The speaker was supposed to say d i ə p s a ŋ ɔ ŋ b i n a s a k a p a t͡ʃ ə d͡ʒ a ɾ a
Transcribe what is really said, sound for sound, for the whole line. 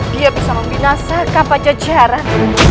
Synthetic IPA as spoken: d i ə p s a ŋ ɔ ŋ b i n a s a k a p a t͡ʃ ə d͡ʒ a ɾ a